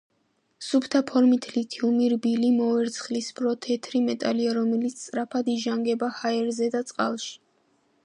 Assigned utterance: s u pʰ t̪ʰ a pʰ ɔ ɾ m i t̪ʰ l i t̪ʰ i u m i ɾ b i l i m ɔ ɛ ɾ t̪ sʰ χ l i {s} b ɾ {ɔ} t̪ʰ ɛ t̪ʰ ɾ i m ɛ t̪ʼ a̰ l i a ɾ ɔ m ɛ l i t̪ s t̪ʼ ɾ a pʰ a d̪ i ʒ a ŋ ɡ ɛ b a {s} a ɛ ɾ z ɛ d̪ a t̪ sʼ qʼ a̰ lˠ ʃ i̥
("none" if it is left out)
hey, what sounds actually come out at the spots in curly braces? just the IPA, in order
s, ɔ, h

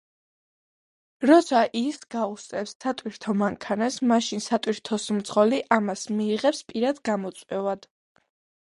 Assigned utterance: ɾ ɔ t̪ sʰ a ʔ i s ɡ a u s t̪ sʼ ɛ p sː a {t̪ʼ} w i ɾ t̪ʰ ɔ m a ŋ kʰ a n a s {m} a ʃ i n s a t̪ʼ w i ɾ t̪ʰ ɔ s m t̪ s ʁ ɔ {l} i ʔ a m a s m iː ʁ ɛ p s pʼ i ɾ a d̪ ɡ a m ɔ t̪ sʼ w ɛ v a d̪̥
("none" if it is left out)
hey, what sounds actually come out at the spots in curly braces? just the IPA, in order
t̪ʼ, m, l

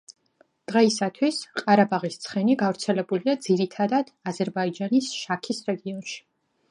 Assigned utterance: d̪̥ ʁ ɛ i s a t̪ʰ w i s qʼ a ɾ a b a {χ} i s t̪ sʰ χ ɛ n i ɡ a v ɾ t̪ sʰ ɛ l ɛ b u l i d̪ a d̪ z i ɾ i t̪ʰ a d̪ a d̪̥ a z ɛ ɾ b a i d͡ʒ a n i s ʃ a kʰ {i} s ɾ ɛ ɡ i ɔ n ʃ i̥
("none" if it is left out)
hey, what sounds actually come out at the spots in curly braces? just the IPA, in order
ʁ, i

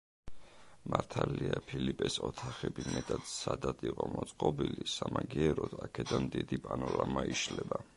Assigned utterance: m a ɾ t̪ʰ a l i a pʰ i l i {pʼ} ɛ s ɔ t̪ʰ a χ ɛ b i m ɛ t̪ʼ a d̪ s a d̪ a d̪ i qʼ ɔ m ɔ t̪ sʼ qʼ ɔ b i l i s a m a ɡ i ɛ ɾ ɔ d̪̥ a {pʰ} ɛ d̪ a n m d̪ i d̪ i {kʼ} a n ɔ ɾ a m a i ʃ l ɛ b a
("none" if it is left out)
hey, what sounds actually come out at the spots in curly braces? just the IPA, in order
pʼ, kʰ, pʼ

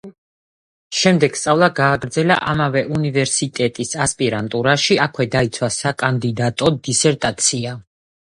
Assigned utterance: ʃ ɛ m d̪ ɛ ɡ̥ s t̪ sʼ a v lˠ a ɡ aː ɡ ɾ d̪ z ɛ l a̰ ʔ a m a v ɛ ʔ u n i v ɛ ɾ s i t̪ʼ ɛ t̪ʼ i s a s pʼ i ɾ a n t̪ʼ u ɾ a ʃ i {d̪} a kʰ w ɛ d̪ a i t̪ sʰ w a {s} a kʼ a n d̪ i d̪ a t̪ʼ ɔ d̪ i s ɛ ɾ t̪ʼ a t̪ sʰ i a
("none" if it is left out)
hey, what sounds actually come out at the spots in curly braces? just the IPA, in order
none, s

